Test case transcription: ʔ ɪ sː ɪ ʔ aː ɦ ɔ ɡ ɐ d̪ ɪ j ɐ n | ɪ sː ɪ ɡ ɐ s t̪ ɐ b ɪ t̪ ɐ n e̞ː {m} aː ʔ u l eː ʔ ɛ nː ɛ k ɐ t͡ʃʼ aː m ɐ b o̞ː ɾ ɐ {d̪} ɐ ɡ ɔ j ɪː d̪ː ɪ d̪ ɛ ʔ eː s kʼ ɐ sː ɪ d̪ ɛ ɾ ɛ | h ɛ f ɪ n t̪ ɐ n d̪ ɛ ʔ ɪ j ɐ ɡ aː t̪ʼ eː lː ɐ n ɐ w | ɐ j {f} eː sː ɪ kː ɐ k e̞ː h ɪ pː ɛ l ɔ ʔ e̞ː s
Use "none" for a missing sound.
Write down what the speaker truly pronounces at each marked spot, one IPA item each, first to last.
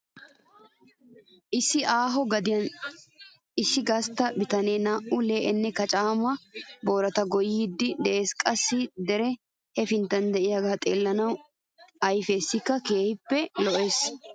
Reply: n, t̪, f

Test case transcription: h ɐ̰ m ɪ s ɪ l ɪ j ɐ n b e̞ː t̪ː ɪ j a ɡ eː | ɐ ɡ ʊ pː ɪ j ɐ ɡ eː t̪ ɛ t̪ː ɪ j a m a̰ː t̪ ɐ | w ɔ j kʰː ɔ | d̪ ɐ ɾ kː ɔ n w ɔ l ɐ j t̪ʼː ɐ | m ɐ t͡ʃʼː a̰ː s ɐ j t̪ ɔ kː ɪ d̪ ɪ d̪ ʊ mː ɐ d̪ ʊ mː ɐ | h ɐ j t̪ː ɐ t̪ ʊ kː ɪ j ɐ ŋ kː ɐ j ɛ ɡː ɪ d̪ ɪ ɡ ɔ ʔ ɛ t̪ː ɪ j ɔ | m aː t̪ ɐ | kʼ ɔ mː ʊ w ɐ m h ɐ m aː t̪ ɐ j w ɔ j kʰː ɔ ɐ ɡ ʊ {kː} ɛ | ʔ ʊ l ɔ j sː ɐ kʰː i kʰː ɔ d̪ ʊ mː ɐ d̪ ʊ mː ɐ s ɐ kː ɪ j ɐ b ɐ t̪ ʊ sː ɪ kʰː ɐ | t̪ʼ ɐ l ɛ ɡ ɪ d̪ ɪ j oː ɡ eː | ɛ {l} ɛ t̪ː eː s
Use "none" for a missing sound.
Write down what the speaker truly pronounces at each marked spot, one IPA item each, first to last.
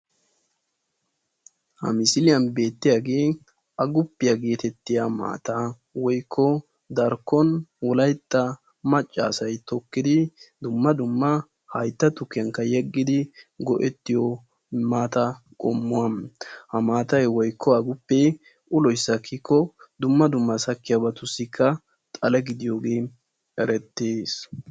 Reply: pː, ɾ

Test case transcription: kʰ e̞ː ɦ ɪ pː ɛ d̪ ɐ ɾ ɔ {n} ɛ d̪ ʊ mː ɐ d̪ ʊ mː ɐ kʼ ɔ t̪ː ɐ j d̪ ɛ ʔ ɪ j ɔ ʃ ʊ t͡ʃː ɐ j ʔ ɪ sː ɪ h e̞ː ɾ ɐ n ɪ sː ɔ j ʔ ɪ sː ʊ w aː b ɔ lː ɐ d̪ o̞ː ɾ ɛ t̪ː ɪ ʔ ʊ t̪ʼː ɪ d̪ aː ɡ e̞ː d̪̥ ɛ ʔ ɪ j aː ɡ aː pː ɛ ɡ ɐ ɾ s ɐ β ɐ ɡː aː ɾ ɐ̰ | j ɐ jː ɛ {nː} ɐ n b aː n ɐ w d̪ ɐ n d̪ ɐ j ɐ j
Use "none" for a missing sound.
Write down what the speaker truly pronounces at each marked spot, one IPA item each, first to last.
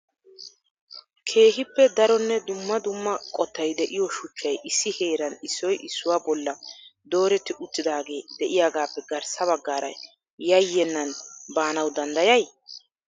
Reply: nː, nː

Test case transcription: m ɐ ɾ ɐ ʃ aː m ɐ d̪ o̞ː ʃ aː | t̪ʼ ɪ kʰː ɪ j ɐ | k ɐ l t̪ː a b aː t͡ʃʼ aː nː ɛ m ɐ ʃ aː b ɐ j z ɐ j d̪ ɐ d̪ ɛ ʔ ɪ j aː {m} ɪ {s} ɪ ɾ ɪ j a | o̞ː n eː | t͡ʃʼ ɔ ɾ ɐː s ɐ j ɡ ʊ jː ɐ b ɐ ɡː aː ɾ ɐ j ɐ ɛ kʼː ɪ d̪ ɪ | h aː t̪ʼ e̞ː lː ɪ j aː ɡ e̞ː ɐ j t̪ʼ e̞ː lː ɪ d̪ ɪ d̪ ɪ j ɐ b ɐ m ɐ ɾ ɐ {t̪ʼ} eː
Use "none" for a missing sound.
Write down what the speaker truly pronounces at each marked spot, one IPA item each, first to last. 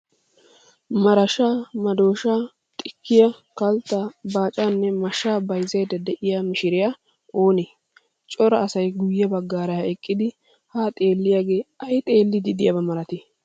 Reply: m, ʃ, t̪

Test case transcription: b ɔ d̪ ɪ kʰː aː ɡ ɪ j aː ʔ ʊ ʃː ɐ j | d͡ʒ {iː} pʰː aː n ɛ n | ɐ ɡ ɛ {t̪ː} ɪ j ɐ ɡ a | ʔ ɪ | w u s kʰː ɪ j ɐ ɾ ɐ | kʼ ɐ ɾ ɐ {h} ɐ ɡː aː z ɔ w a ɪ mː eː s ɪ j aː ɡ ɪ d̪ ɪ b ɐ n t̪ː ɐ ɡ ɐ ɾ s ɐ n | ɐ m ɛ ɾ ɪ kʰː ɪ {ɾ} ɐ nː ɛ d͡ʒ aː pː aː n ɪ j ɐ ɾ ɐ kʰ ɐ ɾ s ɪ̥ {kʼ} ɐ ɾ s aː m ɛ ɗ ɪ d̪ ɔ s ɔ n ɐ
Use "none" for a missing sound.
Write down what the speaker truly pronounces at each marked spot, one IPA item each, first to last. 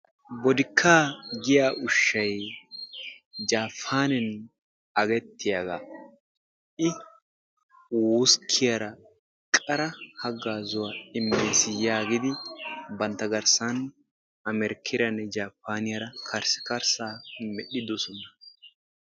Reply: aː, t̪ː, h, ɾ, k

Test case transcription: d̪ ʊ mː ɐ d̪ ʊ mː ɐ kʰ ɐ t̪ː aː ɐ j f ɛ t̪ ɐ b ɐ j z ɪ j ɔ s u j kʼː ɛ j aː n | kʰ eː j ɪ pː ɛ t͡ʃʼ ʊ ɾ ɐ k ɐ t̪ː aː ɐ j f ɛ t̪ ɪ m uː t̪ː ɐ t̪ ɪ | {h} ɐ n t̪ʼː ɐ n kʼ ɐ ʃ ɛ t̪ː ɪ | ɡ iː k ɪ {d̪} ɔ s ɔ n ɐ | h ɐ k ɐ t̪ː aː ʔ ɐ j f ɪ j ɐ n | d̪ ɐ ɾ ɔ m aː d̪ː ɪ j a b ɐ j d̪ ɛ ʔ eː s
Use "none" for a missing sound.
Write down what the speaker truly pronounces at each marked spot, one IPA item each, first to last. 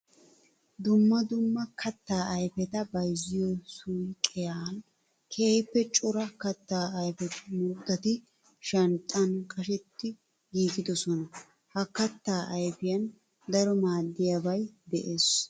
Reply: ʃ, d̪

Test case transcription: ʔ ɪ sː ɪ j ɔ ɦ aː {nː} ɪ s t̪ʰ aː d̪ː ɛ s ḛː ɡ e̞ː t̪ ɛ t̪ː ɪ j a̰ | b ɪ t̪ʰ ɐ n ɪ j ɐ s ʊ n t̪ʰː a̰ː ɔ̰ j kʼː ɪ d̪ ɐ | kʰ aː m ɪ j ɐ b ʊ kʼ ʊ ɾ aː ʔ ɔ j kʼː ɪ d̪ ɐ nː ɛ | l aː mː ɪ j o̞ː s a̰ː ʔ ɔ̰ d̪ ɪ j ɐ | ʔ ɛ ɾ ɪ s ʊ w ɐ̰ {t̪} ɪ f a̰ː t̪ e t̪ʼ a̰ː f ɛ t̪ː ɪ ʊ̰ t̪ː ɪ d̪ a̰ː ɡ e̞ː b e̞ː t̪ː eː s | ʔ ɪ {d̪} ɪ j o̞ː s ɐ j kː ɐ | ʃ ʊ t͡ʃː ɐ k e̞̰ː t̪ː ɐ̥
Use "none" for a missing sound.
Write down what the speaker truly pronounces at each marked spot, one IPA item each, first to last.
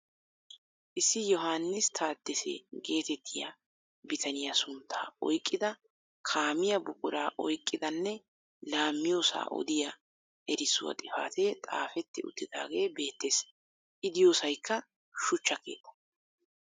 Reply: nː, t̪ʼ, d̪

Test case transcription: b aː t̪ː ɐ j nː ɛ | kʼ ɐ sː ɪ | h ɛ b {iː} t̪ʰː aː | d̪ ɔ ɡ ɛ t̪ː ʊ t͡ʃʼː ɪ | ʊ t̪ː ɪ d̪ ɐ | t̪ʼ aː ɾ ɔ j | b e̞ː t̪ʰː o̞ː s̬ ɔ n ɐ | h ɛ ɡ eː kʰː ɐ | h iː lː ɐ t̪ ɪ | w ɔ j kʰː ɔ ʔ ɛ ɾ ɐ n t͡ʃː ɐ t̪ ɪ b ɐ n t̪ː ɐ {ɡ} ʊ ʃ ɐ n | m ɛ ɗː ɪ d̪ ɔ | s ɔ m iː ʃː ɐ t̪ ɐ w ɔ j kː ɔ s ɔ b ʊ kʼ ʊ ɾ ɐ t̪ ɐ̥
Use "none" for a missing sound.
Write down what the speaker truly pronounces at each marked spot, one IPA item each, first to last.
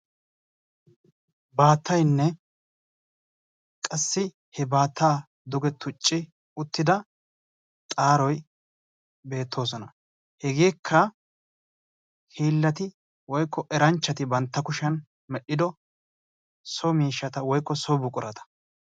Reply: aː, k

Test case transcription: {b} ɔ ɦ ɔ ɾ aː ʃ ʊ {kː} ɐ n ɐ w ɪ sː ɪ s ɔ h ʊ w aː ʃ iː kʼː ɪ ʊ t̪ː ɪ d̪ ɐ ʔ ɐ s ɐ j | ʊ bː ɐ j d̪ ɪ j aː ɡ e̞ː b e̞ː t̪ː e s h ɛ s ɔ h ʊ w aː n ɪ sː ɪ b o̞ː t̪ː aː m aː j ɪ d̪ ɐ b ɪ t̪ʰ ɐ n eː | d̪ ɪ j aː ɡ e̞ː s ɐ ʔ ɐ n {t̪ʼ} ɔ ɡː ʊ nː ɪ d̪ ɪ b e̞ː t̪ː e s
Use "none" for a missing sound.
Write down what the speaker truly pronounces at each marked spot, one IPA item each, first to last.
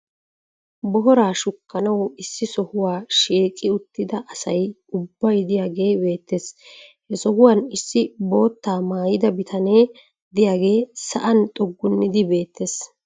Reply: b, kː, t̪ʼ

